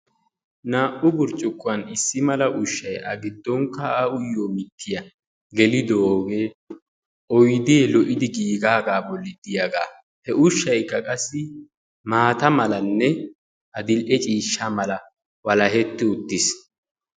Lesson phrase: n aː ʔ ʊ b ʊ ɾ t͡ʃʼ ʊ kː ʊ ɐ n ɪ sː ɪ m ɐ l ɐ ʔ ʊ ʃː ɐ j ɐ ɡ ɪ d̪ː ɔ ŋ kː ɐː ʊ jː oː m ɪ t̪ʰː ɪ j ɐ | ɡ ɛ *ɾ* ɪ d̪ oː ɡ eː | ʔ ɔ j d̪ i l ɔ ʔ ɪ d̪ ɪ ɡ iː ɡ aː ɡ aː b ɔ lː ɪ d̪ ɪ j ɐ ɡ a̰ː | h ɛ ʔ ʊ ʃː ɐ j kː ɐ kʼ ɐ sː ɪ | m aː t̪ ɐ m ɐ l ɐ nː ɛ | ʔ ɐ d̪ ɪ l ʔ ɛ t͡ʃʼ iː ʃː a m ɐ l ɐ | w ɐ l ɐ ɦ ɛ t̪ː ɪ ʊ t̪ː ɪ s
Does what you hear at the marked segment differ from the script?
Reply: yes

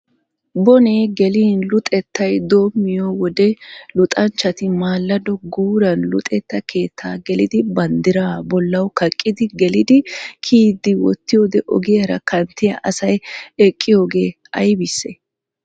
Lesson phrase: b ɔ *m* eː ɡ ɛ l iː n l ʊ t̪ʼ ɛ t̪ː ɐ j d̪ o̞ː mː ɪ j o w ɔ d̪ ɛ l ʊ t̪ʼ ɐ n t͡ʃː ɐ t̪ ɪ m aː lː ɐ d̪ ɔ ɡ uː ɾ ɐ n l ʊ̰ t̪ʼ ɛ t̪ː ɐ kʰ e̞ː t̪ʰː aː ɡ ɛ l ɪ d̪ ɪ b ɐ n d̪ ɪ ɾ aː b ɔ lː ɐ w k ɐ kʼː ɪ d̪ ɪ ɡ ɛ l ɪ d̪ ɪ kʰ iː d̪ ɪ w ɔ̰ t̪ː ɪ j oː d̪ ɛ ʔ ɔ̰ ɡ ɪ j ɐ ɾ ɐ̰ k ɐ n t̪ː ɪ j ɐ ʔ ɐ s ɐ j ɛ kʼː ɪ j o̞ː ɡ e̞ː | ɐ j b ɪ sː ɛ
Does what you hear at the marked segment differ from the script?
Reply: yes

